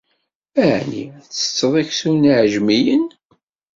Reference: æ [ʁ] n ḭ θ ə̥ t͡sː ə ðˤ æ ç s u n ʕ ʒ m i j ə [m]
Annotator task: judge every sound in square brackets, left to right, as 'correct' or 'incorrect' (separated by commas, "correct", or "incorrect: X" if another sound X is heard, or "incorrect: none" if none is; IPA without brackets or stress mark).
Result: incorrect: ʕ, incorrect: n